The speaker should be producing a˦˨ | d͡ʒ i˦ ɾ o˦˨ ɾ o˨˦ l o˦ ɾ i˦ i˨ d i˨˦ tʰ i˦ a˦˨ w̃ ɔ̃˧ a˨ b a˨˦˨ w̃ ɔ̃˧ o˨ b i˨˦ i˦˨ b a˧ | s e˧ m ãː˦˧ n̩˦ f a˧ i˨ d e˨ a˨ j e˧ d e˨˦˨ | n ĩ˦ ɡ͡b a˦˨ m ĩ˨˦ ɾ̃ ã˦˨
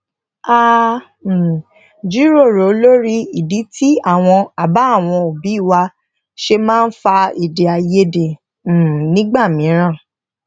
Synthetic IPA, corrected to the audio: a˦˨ | d͡ʒ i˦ ɾ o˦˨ ɾ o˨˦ l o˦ ɾ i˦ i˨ d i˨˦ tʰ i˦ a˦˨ w̃ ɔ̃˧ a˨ b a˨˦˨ w̃ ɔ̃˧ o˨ b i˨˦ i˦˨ w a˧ | ʃ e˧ m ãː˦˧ n̩˦ f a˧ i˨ d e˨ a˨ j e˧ d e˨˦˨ | n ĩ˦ ɡ͡b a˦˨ m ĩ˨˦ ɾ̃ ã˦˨